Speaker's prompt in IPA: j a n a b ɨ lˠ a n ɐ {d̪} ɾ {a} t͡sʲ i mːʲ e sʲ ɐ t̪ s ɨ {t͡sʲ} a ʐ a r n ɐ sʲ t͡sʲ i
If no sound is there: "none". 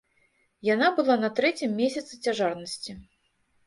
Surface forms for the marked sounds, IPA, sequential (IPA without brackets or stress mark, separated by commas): t̪, ɛ, t͡sʲ